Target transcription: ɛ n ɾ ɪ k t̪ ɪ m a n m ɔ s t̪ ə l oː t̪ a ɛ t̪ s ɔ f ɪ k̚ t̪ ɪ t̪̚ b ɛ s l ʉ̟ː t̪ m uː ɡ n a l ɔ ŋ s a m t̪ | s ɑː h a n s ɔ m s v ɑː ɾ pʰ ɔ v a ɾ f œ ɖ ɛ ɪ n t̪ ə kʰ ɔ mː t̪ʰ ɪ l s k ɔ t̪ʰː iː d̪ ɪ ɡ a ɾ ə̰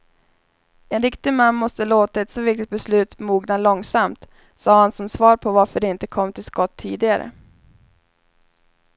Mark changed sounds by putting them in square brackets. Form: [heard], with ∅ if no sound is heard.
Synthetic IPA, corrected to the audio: ɛ n ɾ ɪ k t̪ ɪ m a [nː] m ɔ s t̪ ə l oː t̪ a ɛ t̪ s ɔ [v] ɪ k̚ t̪ ɪ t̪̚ b ɛ s l ʉ̟ː t̪ m uː ɡ n a l ɔ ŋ s a m t̪ | s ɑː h a n s ɔ m s v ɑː ɾ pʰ ɔ v a ɾ f œ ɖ ɛ ɪ n t̪ ə kʰ ɔ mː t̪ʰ ɪ l s k ɔ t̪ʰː iː d̪ ɪ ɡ a ɾ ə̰